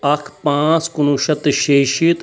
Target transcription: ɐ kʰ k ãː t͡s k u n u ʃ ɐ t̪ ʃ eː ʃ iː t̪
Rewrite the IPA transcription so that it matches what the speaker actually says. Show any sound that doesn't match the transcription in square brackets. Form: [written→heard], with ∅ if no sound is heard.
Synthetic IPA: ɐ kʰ [k→p] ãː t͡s k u n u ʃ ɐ t̪ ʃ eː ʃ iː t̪